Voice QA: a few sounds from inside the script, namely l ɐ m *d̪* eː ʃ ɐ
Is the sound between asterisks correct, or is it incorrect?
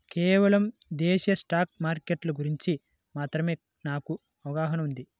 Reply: correct